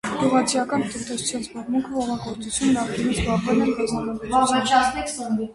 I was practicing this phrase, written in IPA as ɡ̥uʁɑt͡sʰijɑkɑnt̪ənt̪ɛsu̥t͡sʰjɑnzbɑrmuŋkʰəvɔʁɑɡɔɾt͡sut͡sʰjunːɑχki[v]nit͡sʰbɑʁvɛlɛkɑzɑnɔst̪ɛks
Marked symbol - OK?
no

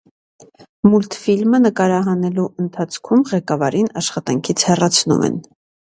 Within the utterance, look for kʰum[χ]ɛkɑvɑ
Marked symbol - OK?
no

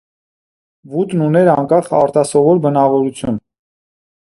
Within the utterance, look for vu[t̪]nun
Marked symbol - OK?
yes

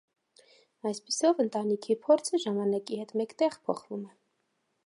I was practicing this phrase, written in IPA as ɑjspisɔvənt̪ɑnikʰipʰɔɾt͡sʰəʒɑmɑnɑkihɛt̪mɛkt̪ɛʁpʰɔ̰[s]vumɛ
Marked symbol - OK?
no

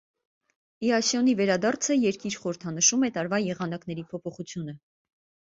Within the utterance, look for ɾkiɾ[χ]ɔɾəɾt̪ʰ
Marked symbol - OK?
yes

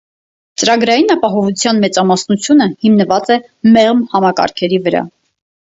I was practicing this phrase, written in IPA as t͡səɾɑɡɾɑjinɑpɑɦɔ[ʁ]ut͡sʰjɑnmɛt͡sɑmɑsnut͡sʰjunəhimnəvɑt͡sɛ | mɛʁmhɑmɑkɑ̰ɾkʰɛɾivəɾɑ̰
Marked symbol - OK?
no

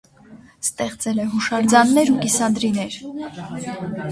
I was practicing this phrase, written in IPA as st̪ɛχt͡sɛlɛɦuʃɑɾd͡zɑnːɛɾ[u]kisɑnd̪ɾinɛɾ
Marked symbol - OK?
yes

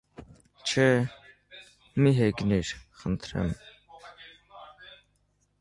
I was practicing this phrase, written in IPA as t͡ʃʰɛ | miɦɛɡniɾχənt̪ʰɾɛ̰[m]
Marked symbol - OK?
yes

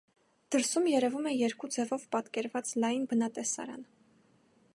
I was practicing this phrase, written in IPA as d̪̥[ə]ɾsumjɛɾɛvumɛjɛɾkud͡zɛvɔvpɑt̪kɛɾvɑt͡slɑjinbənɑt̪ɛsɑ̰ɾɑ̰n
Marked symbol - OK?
yes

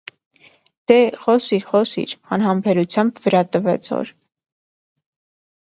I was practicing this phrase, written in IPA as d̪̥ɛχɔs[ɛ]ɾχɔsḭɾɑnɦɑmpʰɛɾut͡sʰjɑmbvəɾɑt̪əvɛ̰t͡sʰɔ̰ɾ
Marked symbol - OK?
no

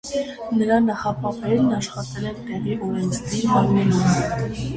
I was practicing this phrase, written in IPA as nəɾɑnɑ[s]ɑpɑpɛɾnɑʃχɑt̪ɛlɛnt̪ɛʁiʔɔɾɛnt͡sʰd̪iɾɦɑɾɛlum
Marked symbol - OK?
no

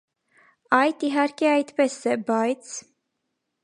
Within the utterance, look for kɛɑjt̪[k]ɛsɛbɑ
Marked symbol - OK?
no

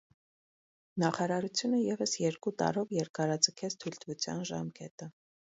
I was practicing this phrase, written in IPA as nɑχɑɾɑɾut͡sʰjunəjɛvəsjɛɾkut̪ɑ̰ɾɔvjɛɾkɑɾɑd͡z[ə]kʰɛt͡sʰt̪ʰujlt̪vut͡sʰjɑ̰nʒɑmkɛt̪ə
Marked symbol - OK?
yes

